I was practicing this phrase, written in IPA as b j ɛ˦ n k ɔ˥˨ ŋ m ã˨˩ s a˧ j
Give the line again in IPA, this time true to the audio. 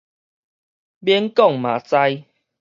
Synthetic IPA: b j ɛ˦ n k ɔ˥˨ ŋ m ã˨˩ t͡s a˧ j